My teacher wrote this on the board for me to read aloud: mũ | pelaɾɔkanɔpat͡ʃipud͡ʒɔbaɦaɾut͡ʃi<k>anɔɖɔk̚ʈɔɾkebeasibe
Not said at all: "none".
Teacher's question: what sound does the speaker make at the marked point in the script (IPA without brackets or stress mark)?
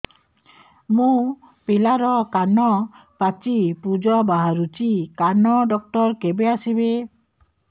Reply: k